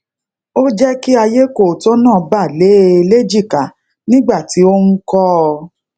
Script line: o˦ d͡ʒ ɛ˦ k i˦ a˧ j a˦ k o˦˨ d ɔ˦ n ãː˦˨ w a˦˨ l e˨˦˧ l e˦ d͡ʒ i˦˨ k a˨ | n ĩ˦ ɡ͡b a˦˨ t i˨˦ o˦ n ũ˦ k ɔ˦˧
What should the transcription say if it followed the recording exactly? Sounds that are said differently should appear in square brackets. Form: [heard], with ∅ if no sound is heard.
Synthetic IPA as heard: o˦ d͡ʒ ɛ˦ k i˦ a˧ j [e˦] k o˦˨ [t] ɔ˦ n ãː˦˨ [b] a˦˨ l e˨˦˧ l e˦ d͡ʒ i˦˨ k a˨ | n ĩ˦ ɡ͡b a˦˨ t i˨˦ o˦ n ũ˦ k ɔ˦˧